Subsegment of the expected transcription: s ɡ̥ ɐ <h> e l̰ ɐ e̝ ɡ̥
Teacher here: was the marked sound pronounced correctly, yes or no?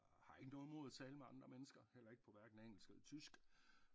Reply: yes